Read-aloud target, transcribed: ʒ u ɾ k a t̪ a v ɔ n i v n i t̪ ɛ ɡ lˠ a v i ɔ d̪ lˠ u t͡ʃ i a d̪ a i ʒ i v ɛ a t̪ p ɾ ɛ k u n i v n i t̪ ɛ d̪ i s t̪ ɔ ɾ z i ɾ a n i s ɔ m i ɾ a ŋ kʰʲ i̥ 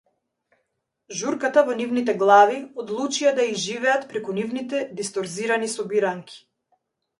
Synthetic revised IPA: ʒ u ɾ k a t̪ a v ɔ n i v n i t̪ ɛ ɡ lˠ a v i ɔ d̪ lˠ u t͡ʃ i a d̪ a i ʒ i v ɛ a t̪ p ɾ ɛ k u n i v n i t̪ ɛ d̪ i s t̪ ɔ ɾ z i ɾ a n i s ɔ b i ɾ a ŋ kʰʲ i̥